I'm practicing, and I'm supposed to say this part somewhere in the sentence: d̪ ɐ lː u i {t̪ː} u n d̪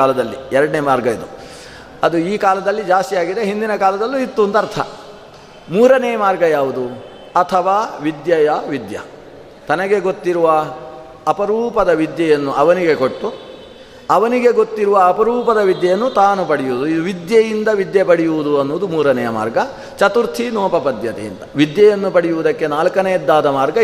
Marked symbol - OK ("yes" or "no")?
yes